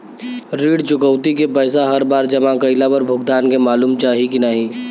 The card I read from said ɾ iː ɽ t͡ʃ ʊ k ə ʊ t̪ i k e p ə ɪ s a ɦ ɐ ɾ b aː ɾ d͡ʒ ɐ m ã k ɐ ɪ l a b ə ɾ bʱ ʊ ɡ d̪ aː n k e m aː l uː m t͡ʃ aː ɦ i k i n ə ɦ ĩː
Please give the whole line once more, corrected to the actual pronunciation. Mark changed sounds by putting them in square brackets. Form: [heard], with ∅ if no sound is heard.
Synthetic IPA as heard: ɾ iː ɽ t͡ʃ ʊ k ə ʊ t̪ i k e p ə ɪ s a ɦ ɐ ɾ b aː ɾ d͡ʒ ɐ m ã k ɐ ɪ l a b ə ɾ bʱ ʊ ɡ d̪ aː n k e m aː l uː m t͡ʃ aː ɦ i k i n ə ɦ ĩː